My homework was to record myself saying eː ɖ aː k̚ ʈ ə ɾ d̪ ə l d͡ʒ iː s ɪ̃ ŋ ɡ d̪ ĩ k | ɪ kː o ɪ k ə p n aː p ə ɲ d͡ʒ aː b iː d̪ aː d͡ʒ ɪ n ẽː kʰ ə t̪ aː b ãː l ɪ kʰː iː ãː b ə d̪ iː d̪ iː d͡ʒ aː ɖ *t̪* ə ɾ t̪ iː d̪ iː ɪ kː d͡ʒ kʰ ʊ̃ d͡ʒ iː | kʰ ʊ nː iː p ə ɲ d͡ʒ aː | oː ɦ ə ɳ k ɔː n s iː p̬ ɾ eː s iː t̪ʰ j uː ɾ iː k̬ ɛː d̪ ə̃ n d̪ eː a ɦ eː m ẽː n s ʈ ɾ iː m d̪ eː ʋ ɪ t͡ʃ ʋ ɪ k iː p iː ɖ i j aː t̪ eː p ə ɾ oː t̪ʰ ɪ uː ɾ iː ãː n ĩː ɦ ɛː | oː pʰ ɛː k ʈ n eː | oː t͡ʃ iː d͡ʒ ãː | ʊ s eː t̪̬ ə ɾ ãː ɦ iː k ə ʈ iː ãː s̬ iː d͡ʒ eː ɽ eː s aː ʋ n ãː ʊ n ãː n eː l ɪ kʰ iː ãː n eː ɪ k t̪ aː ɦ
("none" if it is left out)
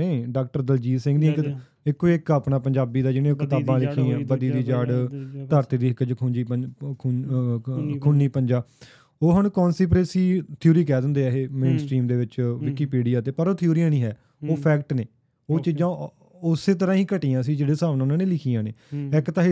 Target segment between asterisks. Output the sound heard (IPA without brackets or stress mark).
t̪